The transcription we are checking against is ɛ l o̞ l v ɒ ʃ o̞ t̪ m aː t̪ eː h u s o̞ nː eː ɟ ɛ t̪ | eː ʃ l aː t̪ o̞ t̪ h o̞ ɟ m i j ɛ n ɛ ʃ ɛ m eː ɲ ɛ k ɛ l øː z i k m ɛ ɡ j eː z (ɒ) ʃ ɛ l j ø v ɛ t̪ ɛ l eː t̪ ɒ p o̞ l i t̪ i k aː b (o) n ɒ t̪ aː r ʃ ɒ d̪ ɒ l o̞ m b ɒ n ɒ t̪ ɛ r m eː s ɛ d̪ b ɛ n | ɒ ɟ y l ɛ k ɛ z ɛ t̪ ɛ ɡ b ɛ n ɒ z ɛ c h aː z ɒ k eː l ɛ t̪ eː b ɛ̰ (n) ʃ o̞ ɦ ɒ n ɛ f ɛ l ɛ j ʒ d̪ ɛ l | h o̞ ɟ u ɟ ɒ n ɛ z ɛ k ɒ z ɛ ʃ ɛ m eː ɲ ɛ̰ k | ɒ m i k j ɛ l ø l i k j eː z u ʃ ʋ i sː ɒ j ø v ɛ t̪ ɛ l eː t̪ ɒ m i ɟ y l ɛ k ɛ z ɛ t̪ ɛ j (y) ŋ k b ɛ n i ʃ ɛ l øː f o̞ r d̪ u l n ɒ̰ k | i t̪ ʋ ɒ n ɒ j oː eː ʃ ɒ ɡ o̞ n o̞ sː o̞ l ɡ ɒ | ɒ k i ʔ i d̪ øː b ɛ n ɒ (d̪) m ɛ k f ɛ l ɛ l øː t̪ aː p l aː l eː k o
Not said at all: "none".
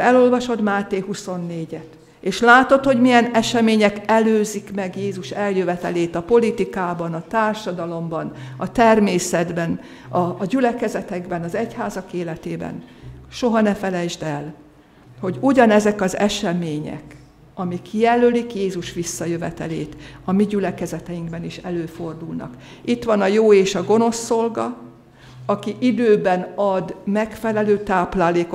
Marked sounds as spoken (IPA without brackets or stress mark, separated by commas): u, ɒ, n, i, d̪